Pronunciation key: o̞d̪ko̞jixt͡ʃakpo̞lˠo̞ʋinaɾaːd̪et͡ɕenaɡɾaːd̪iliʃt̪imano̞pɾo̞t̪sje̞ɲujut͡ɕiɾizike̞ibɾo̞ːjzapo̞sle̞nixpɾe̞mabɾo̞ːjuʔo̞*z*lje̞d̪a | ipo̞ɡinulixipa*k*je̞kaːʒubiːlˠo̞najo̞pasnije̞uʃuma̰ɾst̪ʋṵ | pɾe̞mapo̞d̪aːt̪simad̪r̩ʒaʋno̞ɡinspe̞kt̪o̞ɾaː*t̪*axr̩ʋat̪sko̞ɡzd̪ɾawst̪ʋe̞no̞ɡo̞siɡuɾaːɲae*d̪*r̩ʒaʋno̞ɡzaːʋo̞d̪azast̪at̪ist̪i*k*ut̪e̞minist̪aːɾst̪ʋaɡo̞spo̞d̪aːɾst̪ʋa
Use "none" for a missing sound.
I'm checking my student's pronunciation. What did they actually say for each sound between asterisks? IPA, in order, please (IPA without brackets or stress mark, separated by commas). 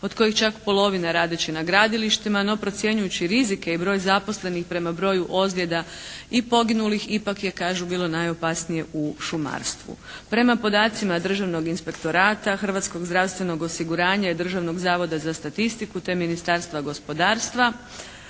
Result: z, k, t̪, d̪, k